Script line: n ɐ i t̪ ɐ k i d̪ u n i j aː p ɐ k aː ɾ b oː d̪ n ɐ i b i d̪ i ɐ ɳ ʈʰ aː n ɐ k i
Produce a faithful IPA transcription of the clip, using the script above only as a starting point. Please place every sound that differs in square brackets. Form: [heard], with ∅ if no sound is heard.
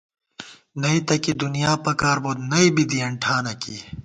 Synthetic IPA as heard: n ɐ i t̪ ɐ k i d̪ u n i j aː p ɐ k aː ɾ b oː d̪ n ɐ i b i d̪ i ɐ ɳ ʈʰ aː n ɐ k i